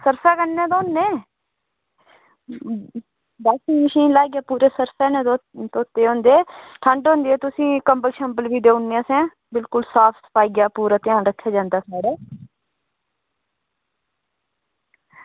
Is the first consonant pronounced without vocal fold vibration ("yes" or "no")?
yes